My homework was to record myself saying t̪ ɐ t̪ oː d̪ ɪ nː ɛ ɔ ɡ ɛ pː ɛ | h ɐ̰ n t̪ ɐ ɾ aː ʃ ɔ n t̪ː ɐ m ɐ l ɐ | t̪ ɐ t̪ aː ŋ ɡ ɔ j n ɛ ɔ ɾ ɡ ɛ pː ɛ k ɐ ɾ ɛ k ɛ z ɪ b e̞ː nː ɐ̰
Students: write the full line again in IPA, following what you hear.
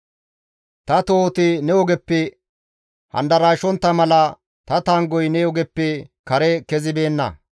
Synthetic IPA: t̪ ɐ t̪ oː t̪ ɪ n ɛ ɔ ɡ ɛ pː ɛ | h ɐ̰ n d̪ ɐ ɾ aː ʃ ɔ n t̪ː ɐ m ɐ l ɐ | t̪ ɐ t̪ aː ŋ ɡ ɔ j n ɛ ɔ ɡ ɛ pː ɛ k ɐ ɾ ɛ k ɛ z ɪ b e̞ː nː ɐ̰

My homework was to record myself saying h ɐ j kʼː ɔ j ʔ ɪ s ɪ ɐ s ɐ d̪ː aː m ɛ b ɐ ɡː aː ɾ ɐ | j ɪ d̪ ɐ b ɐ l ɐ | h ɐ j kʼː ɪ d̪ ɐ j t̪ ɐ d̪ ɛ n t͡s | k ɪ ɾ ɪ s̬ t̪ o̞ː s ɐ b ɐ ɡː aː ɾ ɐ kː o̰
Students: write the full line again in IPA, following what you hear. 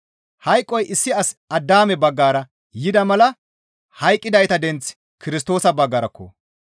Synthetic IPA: h ɐ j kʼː ɔ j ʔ ɪ sː ɪ ɐ s ɐ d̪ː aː m ɛ b ɐ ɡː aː ɾ ɐ | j ɪ d̪ ɐ m ɐ l ɐ | h ɐ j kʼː ɪ d̪ ɐ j t̪ ɐ d̪ ɛ n t͡s | k ɪ ɾ ɪ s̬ t̪ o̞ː s ɐ b ɐ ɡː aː ɾ ɐ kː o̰

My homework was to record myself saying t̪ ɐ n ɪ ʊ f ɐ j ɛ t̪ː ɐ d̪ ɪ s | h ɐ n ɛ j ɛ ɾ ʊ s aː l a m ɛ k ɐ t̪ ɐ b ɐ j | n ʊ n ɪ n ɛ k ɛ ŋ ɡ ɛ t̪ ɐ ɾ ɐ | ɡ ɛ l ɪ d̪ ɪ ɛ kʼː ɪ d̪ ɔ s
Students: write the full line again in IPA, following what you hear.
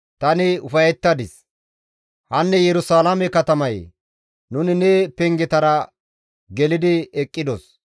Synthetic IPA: t̪ ɐ n ɪ ʊ f ɐ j ɛ t̪ː ɐ d̪ ɪ s | h ɐ nː ɛ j ɛ ɾ ʊ s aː l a m ɛ k ɐ t̪ ɐ m ɐ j | n ʊ n ɪ n ɛ p ɛ ŋ ɡ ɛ t̪ ɐ ɾ ɐ | ɡ ɛ l ɪ d̪ ɪ ɛ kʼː ɪ d̪ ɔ s

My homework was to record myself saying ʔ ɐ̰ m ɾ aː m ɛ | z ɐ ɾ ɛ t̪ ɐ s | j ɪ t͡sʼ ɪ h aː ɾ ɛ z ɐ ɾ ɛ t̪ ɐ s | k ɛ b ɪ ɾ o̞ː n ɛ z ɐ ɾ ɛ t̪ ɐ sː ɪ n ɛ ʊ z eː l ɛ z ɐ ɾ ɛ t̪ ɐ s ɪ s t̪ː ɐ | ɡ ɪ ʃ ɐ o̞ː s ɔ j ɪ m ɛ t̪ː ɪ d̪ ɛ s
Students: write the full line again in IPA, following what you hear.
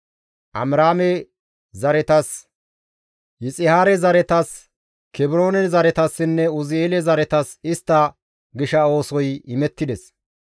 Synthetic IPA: ʔ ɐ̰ m ɾ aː m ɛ | z ɐ ɾ ɛ t̪ ɐ s | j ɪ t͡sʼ ɪ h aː ɾ ɛ z ɐ ɾ ɛ t̪ ɐ s | k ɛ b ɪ ɾ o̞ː n ɛ z ɐ ɾ ɛ t̪ ɐ sː ɪ nː ɛ ʊ z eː l ɛ z ɐ ɾ ɛ t̪ ɐ s ɪ s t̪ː ɐ | ɡ ɪ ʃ ɐ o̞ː s ɔ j ɪ m ɛ t̪ː ɪ d̪ ɛ s

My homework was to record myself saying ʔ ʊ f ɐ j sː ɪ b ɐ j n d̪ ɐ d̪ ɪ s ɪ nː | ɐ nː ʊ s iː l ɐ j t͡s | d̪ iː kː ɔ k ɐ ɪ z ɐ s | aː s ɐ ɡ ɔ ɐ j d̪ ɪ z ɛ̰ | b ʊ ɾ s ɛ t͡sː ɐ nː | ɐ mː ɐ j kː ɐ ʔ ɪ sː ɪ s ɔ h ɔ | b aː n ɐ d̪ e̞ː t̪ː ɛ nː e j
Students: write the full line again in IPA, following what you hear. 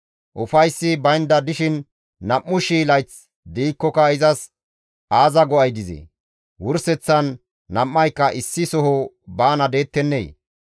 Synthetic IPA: ʔ ʊ f ɐ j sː ɪ b ɐ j n d̪ ɐ d̪ ɪ ʃ ɪ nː | ɐ mː ʊ ʃ iː l ɐ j t͡s | d̪ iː kː ɔ k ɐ ɪ z ɐ s | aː z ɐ ɡ ɔ ɐ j d̪ ɪ z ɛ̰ | w ʊ ɾ s ɛ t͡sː ɐ nː | ɐ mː ɐ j kː ɐ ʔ ɪ sː ɪ s ɔ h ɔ | b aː n ɐ d̪ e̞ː t̪ː ɛ nː e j

